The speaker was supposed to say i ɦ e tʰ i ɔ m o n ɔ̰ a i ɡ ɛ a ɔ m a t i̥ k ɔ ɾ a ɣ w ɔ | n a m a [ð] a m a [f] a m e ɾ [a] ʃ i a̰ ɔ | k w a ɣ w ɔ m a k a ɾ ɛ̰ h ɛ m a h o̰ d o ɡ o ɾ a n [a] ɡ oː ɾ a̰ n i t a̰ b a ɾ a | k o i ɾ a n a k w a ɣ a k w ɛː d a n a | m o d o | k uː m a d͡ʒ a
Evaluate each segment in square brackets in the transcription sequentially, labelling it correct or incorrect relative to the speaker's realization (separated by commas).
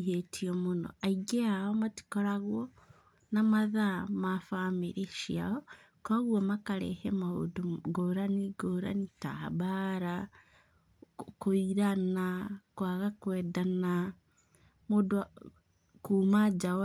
correct, correct, incorrect, incorrect